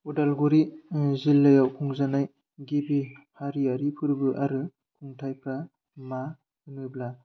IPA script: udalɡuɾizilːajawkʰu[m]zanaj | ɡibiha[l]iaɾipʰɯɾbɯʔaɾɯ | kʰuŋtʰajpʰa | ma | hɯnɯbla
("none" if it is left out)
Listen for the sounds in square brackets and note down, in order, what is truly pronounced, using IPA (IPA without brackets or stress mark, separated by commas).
ŋ, ɾ